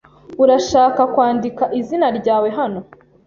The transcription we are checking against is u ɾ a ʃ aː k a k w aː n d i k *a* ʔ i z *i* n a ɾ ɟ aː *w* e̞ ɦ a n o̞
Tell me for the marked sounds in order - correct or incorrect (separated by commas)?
correct, correct, correct